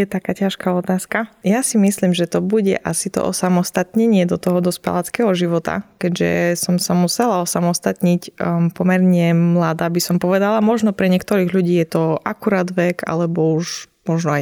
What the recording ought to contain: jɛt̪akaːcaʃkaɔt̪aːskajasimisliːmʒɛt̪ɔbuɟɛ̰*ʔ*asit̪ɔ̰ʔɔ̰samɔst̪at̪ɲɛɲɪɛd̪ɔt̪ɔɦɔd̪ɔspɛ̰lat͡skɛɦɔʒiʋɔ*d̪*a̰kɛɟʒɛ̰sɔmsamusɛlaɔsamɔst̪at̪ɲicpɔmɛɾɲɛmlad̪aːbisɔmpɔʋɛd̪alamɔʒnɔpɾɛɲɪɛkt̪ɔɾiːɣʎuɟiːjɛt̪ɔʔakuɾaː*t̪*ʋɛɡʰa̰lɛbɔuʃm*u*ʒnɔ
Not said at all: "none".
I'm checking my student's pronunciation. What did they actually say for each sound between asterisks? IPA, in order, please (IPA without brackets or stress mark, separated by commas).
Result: ʔ, t̪, d̪, ɔ